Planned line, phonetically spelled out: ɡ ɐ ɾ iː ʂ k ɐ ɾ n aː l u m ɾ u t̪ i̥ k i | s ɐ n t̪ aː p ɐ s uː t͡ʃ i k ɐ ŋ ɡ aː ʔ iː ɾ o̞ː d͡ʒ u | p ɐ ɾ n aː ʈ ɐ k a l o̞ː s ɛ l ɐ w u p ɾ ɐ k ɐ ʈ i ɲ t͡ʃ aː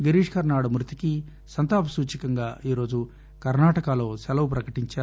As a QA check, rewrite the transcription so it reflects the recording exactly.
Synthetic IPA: ɡ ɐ ɾ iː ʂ k ɐ ɾ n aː ɽ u m ɾ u t̪ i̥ k i | s ɐ n t̪ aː p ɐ s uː t͡ʃ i k ɐ ŋ ɡ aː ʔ iː ɾ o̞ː d͡ʒ u | k ɐ ɾ n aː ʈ ɐ k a l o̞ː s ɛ l ɐ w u p ɾ ɐ k ɐ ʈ i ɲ t͡ʃ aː